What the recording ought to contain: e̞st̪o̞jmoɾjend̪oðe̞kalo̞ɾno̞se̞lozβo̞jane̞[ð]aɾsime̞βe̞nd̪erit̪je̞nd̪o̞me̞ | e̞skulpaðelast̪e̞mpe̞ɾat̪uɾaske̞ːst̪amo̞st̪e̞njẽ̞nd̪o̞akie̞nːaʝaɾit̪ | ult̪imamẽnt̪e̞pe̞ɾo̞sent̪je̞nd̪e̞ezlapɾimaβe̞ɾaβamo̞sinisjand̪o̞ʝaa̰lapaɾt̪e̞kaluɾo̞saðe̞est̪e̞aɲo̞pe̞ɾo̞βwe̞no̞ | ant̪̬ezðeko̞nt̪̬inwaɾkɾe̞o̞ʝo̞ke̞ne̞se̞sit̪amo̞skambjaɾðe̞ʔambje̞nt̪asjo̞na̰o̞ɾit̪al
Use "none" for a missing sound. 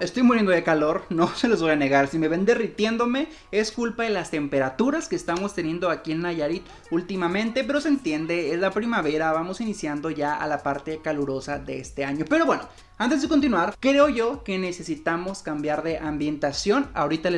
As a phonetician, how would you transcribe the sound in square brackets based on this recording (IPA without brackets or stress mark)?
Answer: ɣ